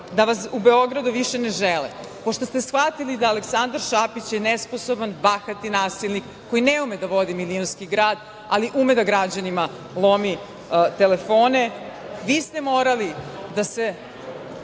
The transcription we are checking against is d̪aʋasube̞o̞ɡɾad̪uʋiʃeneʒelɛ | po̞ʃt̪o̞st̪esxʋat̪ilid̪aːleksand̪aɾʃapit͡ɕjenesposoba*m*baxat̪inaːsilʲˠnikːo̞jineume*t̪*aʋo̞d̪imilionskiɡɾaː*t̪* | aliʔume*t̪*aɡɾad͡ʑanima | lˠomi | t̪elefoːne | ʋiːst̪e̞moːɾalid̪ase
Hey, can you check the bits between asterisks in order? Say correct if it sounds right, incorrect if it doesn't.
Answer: incorrect, incorrect, incorrect, incorrect

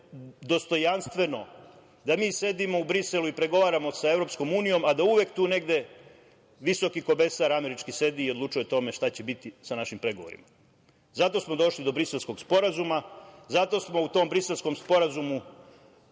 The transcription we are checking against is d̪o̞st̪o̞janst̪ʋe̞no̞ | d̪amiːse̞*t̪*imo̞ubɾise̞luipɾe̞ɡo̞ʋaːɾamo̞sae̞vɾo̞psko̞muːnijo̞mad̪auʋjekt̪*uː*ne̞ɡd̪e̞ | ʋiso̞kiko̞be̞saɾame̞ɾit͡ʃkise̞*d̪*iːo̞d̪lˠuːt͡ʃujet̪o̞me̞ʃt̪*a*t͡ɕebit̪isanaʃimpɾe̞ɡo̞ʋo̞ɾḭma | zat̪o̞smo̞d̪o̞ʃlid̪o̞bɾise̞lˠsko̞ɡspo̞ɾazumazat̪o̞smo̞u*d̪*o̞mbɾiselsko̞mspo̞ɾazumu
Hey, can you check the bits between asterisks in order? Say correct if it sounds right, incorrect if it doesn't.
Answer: incorrect, correct, correct, correct, incorrect

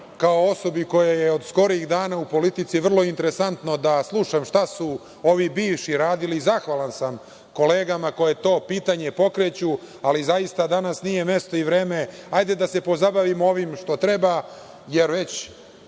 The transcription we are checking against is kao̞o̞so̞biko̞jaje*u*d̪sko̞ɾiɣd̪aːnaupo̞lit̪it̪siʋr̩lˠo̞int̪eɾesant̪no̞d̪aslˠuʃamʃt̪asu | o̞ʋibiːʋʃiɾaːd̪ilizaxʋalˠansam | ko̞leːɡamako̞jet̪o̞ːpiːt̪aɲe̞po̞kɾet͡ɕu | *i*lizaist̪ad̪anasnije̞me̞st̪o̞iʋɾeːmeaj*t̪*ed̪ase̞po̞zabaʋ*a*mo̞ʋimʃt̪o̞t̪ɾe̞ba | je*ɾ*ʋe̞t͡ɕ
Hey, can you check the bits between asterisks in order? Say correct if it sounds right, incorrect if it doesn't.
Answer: incorrect, incorrect, incorrect, incorrect, correct

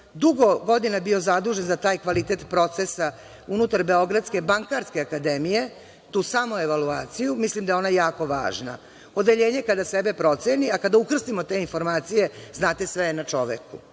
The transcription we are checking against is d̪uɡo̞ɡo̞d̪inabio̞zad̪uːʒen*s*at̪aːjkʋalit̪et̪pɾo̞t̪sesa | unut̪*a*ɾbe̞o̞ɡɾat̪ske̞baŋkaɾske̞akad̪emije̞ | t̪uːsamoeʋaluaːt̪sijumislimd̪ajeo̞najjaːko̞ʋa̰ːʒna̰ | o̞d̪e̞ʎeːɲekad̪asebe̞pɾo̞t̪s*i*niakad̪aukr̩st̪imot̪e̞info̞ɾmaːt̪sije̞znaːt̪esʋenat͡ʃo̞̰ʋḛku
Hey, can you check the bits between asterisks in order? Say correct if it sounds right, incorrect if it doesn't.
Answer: incorrect, correct, incorrect

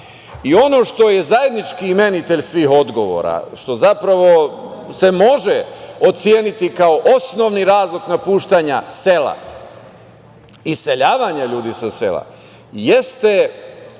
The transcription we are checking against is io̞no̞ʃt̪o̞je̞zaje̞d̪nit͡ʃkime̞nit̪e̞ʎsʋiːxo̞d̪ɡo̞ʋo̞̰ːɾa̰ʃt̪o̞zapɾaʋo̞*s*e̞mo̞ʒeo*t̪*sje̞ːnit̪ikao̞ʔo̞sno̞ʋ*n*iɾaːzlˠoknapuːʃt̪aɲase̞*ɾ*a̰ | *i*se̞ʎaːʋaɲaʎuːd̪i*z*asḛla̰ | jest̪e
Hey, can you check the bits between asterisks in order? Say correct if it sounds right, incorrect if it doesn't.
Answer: correct, correct, correct, incorrect, correct, incorrect

